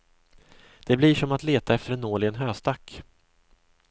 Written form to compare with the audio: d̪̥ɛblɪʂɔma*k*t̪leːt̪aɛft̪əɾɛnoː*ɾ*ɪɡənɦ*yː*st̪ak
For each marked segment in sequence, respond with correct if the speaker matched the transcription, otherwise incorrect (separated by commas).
incorrect, incorrect, incorrect